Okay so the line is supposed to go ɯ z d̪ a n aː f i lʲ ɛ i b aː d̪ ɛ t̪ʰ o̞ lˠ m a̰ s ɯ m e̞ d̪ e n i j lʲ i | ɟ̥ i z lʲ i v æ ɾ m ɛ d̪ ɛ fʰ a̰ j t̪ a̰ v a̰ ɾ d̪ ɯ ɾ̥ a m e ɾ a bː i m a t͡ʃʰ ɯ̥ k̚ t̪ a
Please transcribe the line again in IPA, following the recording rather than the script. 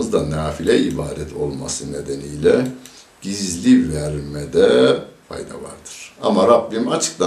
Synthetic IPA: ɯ z d̪ a n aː f i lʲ ɛ i b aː d̪ ɛ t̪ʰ o̞ lˠ m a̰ s ɯ n e̞ d̪ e n i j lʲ ɛ | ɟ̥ i z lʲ i v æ ɾ m ɛ d̪ ɛ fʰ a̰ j d̪ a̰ v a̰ ɾ d̪ ɯ ɾ̥ a m a ɾ a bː i m a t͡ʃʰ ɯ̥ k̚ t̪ a